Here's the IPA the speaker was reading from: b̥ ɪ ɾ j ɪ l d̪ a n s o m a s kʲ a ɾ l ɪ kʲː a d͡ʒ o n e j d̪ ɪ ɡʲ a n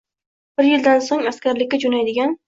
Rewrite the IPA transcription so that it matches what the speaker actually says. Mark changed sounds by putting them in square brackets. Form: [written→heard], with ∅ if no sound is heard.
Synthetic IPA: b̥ ɪ ɾ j ɪ l d̪ a n s o [m→ŋ] a s kʲ a ɾ l ɪ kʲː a d͡ʒ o n [e→a] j d̪ ɪ ɡʲ a n